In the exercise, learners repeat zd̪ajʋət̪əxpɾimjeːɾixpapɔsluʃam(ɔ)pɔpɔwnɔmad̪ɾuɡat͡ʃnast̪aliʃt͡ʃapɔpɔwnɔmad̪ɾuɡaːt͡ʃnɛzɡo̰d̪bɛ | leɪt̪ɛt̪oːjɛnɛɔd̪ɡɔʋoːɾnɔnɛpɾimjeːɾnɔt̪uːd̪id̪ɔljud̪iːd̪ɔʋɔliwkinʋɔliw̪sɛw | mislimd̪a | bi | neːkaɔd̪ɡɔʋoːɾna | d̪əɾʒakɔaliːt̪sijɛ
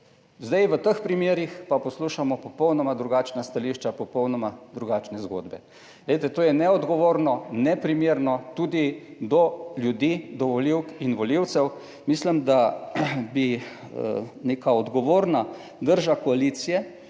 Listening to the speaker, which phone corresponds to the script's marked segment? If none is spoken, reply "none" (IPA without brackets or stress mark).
ɔ